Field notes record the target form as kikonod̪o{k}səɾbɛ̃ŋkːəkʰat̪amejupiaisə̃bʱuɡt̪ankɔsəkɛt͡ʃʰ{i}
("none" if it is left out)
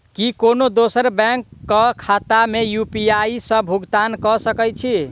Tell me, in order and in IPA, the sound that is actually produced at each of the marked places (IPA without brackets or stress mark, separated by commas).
none, i